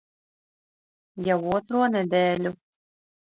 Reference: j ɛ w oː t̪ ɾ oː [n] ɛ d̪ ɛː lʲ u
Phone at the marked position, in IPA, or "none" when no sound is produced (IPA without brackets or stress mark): n